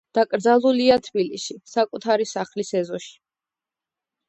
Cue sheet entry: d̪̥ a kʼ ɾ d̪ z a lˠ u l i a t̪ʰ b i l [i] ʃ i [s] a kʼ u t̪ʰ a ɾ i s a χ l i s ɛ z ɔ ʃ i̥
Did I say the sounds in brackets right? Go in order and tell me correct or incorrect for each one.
correct, correct

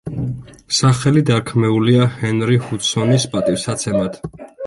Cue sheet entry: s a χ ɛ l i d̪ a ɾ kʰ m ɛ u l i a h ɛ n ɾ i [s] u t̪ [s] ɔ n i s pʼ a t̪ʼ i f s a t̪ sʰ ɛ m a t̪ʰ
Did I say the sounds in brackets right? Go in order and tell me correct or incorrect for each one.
incorrect, correct

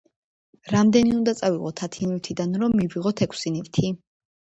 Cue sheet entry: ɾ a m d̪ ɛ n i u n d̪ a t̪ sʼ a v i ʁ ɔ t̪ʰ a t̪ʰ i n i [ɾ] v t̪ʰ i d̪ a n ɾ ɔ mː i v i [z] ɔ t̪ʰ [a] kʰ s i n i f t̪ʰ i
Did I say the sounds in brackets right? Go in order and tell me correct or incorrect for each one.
incorrect, incorrect, incorrect

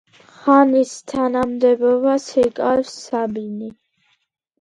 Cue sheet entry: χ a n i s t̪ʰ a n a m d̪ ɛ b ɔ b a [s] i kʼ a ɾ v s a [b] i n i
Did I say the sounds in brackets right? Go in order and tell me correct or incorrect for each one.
correct, correct

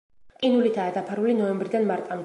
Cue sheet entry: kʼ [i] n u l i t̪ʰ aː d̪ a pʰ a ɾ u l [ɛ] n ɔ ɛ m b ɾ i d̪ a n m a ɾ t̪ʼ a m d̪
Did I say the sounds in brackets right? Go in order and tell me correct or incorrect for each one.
correct, incorrect

